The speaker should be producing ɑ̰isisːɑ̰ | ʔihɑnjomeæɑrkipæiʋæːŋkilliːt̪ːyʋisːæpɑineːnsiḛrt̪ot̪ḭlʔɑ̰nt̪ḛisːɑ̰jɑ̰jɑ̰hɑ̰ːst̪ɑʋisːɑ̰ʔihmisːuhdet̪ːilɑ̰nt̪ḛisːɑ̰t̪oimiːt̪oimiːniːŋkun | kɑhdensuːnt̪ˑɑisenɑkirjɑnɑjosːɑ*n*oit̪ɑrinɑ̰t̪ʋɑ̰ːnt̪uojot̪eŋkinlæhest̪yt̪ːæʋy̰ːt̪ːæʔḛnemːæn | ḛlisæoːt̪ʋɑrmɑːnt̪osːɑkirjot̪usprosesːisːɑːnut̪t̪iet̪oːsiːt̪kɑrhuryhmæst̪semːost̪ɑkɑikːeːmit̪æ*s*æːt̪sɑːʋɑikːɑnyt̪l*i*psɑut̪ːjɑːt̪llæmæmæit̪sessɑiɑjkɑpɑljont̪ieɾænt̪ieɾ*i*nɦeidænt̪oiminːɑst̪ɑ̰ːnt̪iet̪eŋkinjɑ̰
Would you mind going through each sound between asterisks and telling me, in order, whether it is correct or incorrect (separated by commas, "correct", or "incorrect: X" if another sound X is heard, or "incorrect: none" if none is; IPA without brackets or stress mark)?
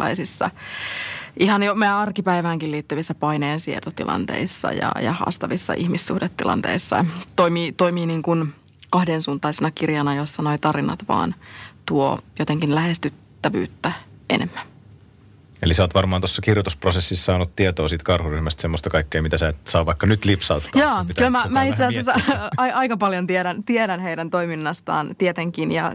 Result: correct, correct, correct, incorrect: æ